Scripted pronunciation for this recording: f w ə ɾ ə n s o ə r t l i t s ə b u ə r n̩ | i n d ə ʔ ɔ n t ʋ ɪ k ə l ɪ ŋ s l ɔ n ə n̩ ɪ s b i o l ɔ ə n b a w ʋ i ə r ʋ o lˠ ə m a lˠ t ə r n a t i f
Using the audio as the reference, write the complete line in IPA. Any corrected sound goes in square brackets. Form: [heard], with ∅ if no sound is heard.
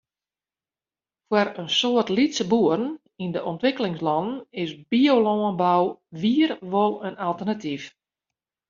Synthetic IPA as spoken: f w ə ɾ ə n s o ə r t l i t s ə b u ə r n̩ | i n d ə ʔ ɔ n t ʋ ɪ k ə l ɪ ŋ s l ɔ n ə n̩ ɪ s b i o l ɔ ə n b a w ʋ i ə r ʋ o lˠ ə [n] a lˠ t ə r n a t i f